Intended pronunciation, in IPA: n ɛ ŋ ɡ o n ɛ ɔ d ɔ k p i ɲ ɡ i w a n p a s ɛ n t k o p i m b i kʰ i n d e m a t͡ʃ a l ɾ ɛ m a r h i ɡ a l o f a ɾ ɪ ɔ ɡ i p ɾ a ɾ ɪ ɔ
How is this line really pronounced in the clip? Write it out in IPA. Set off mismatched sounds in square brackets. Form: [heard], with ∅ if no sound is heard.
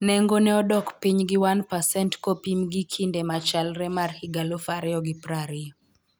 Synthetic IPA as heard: n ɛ ŋ ɡ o n ɛ ɔ d ɔ k p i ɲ ɡ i w a n p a s ɛ n t k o p i m [ɡ] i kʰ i n d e m a t͡ʃ a l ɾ ɛ m a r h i ɡ a l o f a ɾ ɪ ɔ ɡ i p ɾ a ɾ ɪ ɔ